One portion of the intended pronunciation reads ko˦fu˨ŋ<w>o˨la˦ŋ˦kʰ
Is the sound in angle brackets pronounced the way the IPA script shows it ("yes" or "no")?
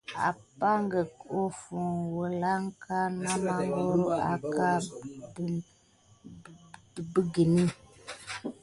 yes